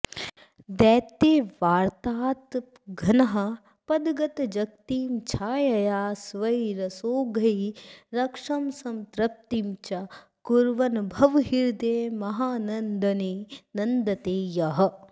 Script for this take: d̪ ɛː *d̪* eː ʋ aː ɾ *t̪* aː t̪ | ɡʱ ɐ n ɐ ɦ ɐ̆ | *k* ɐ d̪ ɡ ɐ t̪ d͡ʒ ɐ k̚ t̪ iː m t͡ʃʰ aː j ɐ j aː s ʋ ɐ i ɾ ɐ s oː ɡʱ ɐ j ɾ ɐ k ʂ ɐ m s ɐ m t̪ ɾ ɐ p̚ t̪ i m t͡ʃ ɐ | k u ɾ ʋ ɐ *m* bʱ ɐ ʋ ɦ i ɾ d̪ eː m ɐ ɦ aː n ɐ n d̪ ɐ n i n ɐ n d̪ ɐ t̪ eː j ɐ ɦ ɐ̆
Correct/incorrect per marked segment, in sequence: incorrect: t̪, correct, incorrect: p, incorrect: n

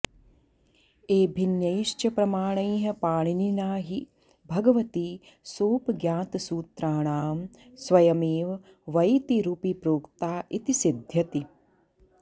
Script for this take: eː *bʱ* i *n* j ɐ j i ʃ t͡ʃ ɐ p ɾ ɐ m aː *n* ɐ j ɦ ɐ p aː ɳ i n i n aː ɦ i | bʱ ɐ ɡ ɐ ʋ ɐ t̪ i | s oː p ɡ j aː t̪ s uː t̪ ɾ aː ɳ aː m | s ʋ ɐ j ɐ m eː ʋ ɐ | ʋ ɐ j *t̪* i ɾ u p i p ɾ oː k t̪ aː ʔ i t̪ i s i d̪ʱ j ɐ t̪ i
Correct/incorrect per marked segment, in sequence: correct, correct, incorrect: ɳ, correct

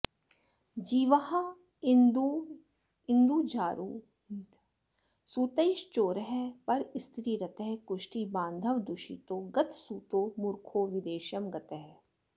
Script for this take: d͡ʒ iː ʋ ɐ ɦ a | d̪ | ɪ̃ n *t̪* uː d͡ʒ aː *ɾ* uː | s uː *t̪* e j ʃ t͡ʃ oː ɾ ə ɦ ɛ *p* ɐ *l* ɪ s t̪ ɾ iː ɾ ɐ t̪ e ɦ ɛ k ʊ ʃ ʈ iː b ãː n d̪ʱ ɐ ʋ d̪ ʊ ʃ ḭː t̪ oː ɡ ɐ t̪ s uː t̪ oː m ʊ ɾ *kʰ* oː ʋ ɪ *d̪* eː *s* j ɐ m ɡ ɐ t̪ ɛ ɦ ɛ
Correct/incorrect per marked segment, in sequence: incorrect: d̪, correct, correct, correct, incorrect: ɾ, correct, correct, incorrect: ʃ

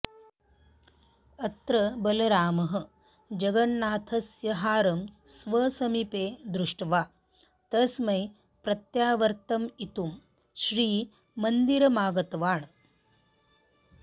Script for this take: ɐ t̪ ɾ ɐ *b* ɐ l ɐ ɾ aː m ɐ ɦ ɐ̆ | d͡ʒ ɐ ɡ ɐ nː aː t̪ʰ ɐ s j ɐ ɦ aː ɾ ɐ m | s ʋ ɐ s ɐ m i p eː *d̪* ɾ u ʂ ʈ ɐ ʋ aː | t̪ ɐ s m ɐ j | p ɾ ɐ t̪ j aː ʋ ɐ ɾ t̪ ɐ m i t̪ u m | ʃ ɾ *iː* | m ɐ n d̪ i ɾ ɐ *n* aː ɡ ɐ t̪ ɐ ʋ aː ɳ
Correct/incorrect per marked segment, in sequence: correct, correct, correct, incorrect: m

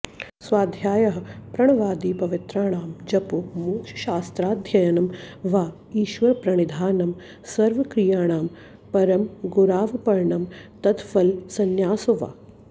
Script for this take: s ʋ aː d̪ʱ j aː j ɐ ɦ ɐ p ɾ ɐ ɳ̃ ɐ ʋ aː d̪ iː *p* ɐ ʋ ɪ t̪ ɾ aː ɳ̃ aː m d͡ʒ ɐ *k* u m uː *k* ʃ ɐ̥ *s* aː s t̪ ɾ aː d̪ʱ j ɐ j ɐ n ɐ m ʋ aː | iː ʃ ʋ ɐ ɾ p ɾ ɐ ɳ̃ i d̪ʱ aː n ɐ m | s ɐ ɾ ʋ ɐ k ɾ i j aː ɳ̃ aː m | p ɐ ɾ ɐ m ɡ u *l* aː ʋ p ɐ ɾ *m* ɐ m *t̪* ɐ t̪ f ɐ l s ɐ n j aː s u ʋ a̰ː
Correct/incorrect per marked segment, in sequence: correct, incorrect: p, correct, incorrect: ʃ, incorrect: ɾ, incorrect: ɳ, correct

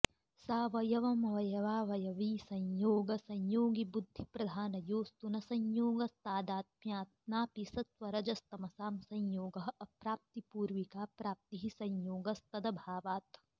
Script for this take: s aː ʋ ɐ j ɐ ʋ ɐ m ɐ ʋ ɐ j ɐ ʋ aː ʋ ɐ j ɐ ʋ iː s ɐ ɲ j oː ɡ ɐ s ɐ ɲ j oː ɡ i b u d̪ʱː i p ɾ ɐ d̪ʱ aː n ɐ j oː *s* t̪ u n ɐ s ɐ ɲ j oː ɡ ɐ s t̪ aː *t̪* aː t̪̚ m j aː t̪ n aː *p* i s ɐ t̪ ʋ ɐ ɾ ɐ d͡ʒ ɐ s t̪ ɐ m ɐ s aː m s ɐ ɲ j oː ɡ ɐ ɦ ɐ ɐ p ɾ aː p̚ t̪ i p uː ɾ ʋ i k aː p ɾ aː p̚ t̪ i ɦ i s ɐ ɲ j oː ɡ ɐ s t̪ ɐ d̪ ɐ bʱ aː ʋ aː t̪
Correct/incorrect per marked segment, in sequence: correct, incorrect: d̪, correct

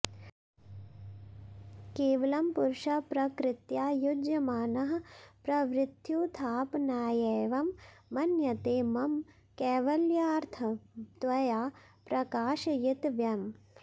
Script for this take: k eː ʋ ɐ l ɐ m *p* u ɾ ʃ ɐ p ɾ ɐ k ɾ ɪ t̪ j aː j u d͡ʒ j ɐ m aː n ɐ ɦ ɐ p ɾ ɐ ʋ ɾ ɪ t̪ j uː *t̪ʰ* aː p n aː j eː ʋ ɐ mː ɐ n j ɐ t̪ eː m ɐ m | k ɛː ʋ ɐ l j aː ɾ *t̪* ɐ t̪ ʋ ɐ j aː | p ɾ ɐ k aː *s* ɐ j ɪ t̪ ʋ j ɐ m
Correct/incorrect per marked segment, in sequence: correct, correct, incorrect: t̪ʰ, incorrect: ʃ

